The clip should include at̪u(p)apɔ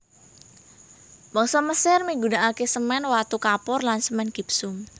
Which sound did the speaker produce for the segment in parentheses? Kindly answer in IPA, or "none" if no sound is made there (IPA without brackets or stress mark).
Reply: k